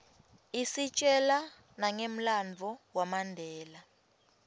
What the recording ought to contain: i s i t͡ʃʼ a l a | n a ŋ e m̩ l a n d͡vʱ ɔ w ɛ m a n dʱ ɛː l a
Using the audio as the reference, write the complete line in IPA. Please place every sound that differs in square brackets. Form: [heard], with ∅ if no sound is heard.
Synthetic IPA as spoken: i s i t͡ʃʼ [ɛ] l a | n a ŋ e m̩ l a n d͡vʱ ɔ w [a] m a n dʱ ɛː l a

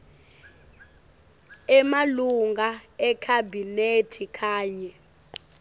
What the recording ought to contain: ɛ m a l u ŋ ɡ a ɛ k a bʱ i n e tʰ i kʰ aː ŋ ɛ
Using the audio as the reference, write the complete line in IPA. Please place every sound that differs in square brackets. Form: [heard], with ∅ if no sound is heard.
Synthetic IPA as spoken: ɛ m a l u ŋ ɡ a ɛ [kʰ] a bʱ i n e tʰ i kʰ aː [ɲ] ɛ

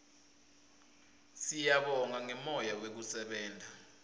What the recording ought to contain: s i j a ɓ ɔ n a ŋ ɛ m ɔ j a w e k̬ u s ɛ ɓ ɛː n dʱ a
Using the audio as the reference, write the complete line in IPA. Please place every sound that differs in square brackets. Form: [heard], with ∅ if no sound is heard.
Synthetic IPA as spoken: s i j a ɓ ɔ [ŋ] a ŋ ɛ m ɔ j a w e k̬ u s ɛ ɓ ɛː n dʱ a

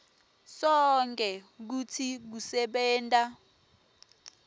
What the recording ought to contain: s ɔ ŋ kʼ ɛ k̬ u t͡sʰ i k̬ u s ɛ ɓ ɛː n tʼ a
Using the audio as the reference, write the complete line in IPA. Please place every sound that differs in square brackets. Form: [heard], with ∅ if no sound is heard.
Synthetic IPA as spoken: s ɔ ŋ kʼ ɛ k̬ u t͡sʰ i k̬ u s ɛ ɓ ɛː n tʼ a

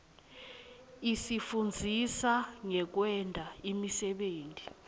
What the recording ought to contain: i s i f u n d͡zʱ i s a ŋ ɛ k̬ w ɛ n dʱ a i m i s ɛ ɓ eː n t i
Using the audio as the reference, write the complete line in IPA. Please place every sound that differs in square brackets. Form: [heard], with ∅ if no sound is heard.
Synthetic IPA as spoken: i s i f u n d͡zʱ i s a ŋ ɛ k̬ w ɛ n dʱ a i m i s ɛ ɓ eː n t i

